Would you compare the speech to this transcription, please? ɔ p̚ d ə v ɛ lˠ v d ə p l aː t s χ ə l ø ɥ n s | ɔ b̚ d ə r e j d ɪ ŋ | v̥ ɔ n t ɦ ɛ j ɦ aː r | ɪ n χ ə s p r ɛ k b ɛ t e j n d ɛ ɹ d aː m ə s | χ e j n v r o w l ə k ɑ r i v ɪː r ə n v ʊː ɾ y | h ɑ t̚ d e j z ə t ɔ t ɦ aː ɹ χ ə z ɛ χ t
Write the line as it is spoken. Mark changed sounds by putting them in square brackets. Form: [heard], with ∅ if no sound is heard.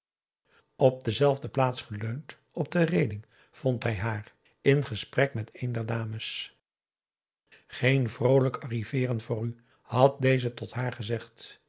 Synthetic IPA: ɔ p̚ d ə [z] ɛ lˠ v d ə p l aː t s χ ə l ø ɥ n [t] | ɔ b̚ d ə r e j d ɪ ŋ | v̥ ɔ n t ɦ ɛ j ɦ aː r | ɪ n χ ə s p r ɛ k [m] ɛ t e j n d ɛ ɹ d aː m ə s | χ e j n v r o w l ə k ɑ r i v ɪː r ə n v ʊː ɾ y | h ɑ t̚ d e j z ə t ɔ t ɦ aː ɹ χ ə z ɛ χ t

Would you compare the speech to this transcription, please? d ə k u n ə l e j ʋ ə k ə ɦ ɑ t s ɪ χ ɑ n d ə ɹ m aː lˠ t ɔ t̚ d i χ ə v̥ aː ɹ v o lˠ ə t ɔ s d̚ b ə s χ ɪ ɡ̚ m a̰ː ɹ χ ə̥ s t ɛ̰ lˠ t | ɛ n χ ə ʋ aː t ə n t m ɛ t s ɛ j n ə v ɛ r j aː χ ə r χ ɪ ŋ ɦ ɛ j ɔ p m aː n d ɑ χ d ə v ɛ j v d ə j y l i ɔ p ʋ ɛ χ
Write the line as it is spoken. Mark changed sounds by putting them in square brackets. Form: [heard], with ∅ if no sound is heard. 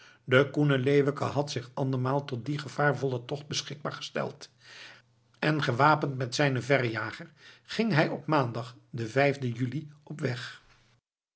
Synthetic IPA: d ə k u n ə l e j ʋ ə k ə ɦ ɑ t s ɪ χ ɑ n d ə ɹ m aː lˠ t ɔ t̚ d i χ ə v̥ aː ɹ v [ɔ] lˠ ə t ɔ [χ] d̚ b ə s χ ɪ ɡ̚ [b] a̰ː ɹ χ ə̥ s t ɛ̰ lˠ t | ɛ n χ ə ʋ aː [p] ə n t m ɛ t s ɛ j n ə v ɛ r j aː χ ə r χ ɪ ŋ ɦ ɛ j ɔ p m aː n d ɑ χ d ə v ɛ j v d ə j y l i ɔ p ʋ ɛ χ

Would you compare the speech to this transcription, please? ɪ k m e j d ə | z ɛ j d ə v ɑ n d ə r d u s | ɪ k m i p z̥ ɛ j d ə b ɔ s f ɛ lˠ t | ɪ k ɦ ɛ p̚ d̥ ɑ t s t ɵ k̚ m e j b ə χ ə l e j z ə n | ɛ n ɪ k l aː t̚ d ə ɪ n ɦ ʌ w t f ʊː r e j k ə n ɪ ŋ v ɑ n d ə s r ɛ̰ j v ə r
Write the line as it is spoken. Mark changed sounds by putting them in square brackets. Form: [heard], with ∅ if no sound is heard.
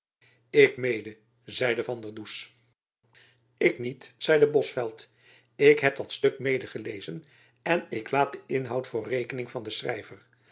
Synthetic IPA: ɪ k m e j d ə | z ɛ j d ə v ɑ n d ə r d u s | ɪ k [n] i [t] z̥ ɛ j d ə b ɔ s f ɛ lˠ t | ɪ k ɦ ɛ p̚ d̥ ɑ t s t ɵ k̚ m e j [d] ə χ ə l e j z ə n | ɛ n ɪ k l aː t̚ d ə ɪ n ɦ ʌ w t f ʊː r e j k ə n ɪ ŋ v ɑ n d ə s r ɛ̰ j v ə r

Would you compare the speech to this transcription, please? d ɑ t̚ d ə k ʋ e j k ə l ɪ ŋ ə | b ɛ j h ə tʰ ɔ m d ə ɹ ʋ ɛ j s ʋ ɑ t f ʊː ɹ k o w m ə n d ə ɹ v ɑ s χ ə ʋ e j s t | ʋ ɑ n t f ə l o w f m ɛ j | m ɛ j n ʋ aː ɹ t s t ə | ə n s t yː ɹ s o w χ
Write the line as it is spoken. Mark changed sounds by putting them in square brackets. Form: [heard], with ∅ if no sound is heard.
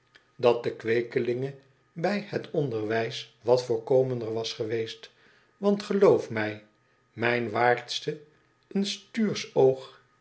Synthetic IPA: d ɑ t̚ d ə k ʋ e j k ə l ɪ ŋ ə | b ɛ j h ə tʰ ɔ [n] d ə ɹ ʋ ɛ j s ʋ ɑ t f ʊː ɹ k o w m ə n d ə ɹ [ʋ] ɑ s χ ə ʋ e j s t | ʋ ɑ n t [χ] ə l o w f m ɛ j | m ɛ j n ʋ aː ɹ t s t ə | ə n s t yː ɹ s o w χ

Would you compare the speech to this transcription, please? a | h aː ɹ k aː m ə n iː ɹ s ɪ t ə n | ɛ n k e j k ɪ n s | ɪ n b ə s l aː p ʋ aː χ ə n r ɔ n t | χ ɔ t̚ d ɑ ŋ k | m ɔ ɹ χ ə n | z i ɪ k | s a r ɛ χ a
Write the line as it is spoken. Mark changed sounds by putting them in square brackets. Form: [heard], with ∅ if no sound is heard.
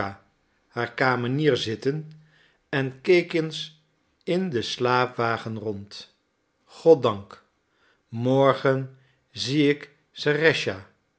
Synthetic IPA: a | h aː ɹ k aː m ə n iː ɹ [z] ɪ t ə n | ɛ n k e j k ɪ n s | ɪ n [d] ə s l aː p ʋ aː χ ə n r ɔ n t | χ ɔ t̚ d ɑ ŋ k | m ɔ ɹ χ ə n | z i ɪ k | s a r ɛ [ʃ] a

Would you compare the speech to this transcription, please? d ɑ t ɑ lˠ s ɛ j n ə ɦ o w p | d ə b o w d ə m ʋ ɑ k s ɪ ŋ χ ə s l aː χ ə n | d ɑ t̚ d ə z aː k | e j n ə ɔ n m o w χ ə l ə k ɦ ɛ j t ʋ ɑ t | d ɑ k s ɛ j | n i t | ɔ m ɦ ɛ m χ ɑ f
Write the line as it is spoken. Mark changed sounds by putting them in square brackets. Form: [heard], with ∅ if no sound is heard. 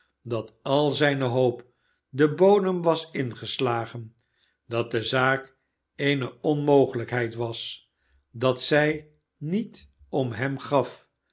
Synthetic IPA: d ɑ t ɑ lˠ [z] ɛ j n ə ɦ o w p | d ə b o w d ə m ʋ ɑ [∅] s ɪ [n] χ ə s l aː χ ə n | d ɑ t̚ d ə z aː k | e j n ə ɔ n m o w χ ə l ə k ɦ ɛ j t ʋ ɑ [s] | d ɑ [t] s ɛ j | n i t | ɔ m ɦ ɛ m χ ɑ f

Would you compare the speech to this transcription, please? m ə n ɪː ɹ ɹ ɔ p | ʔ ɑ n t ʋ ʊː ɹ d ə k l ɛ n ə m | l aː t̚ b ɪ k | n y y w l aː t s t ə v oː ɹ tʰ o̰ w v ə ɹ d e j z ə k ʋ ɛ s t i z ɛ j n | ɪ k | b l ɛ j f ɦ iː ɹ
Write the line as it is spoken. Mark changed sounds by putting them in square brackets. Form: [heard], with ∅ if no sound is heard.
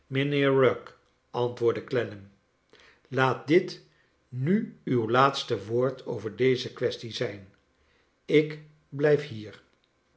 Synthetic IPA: m ə n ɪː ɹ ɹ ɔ [k] | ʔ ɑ n t ʋ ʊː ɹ d ə k l ɛ n ə m | l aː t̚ [d] ɪ [t] | n y y w l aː t s t ə [ʋ] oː ɹ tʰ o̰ w v ə ɹ d e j z ə k ʋ ɛ s t i z ɛ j n | ɪ k | b l ɛ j f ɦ iː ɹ

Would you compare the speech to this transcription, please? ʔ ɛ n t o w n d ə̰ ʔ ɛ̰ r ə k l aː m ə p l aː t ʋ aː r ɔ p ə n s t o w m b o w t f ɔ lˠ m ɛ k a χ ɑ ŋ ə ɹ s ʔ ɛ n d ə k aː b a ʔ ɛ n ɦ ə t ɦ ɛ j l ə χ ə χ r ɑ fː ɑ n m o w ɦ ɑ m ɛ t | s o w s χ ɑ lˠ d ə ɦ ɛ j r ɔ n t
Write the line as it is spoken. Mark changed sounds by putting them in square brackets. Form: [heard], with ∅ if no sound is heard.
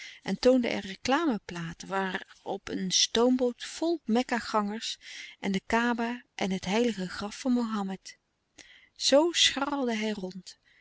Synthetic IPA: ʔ ɛ n t o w n d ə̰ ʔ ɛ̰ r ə k l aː m ə p l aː t ʋ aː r ɔ p ə n s t o w m b o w t f ɔ lˠ m ɛ k a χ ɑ ŋ ə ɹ s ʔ ɛ n d ə k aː b a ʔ ɛ n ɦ ə t ɦ ɛ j l ə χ ə χ r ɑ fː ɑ n m o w ɦ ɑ m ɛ t | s o w s χ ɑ lˠ d ə ɦ ɛ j r ɔ n t

